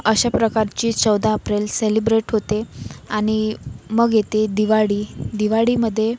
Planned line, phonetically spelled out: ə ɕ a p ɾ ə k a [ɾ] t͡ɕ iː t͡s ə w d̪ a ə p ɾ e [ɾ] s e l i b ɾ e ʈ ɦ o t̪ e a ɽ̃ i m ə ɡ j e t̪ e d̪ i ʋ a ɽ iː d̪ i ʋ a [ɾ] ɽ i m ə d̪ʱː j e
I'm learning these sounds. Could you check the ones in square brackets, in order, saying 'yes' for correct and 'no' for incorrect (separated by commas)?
yes, no, no